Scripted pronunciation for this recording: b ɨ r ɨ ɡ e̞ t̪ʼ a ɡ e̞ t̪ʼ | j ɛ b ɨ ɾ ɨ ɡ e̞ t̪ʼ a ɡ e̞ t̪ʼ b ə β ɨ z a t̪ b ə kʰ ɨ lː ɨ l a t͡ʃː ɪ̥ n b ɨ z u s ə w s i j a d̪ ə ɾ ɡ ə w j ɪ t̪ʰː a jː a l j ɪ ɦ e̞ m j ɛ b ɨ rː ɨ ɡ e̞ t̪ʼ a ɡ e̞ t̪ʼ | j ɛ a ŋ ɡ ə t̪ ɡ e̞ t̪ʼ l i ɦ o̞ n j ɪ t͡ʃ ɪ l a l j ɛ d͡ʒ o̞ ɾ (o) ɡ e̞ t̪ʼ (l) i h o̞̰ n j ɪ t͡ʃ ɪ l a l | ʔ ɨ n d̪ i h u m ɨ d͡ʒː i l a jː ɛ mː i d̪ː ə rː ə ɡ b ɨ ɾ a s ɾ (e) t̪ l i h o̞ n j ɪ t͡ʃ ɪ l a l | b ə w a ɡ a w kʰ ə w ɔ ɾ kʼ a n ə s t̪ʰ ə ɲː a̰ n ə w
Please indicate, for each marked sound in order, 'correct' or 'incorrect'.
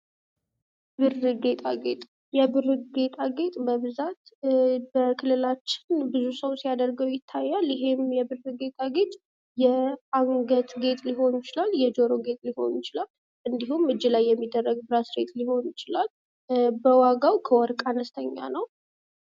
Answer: correct, correct, correct

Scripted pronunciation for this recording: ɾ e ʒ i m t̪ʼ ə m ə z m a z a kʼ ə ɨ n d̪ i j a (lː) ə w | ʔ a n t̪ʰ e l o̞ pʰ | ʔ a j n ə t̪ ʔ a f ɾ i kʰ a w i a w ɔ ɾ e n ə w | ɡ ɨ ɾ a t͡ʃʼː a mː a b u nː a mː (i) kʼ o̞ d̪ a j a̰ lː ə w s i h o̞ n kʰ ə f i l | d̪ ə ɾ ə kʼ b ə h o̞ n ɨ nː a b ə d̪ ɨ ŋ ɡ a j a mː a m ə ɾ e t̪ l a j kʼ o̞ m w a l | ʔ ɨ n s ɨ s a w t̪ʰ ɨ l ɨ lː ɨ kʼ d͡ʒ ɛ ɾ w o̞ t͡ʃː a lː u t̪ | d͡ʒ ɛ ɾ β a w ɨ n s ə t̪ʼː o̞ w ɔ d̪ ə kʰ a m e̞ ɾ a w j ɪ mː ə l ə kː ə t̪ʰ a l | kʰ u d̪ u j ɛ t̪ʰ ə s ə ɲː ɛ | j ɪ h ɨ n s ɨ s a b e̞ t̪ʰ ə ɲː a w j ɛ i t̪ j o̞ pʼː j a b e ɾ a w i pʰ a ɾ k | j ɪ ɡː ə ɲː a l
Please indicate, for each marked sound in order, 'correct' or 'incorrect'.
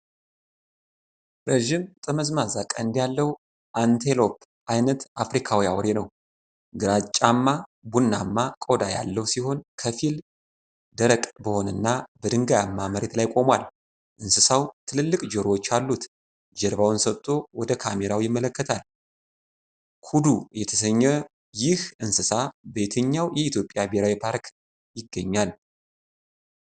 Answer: correct, incorrect

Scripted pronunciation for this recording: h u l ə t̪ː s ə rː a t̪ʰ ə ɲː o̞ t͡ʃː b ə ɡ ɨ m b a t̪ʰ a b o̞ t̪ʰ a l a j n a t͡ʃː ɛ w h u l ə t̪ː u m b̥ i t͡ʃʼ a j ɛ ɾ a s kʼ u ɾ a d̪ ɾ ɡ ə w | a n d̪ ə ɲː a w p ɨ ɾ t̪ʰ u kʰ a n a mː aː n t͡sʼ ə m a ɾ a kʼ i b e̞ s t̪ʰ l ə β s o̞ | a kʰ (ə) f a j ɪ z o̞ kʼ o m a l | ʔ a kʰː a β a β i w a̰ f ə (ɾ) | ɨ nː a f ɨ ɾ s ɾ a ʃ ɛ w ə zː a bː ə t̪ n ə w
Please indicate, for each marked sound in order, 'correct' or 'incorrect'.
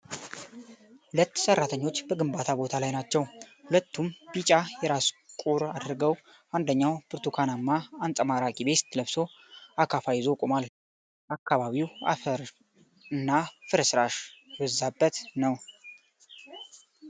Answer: incorrect, correct

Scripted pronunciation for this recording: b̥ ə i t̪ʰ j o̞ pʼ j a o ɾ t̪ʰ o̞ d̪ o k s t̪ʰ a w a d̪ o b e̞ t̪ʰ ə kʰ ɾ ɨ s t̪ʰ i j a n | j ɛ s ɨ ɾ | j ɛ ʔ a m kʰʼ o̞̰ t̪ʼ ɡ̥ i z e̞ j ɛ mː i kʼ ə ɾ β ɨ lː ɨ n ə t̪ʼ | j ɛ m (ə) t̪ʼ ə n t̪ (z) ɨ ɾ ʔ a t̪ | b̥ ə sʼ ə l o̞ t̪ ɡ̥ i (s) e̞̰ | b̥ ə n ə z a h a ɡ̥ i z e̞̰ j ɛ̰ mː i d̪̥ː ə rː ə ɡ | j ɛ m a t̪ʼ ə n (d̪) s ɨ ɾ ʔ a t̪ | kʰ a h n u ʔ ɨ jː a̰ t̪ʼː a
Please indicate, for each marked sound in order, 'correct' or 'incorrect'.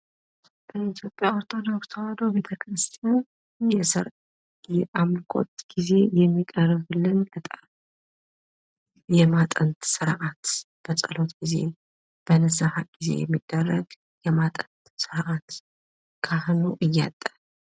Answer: incorrect, incorrect, incorrect, incorrect

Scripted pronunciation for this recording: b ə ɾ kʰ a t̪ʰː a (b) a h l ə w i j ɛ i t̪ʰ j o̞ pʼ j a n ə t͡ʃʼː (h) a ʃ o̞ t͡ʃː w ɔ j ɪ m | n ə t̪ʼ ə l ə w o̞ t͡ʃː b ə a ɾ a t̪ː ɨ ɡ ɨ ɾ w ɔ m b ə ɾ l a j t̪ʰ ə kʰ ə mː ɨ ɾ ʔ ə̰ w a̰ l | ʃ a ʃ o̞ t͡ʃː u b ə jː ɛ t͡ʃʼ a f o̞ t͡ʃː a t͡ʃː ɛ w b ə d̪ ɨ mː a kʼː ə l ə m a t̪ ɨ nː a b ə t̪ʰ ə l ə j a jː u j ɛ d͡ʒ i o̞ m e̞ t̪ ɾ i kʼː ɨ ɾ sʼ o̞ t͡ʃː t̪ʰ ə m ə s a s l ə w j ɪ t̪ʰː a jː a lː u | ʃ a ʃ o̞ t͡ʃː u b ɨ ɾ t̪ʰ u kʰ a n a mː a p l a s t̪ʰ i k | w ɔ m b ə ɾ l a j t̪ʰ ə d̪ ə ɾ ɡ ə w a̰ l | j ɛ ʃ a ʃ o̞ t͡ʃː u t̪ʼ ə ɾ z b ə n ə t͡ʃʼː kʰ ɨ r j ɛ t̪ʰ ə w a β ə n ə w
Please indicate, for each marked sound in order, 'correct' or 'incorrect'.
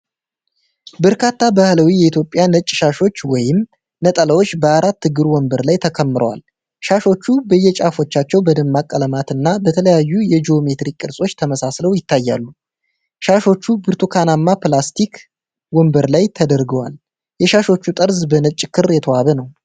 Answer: correct, incorrect

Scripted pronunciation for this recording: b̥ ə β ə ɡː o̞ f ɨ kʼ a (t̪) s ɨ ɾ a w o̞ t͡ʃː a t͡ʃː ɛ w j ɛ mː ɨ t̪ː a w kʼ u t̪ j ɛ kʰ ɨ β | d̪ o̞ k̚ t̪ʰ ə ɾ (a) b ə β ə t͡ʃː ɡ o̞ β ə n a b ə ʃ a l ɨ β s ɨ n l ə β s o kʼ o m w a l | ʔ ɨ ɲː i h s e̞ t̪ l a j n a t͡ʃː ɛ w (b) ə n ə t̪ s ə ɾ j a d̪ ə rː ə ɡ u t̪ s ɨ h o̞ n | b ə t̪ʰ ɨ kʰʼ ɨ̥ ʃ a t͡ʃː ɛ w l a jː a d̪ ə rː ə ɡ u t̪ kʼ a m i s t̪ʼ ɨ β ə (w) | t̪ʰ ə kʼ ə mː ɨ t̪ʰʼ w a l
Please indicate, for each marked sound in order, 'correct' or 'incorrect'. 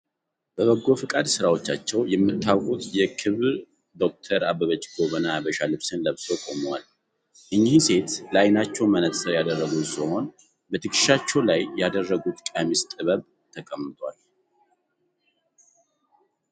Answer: incorrect, correct, incorrect, incorrect

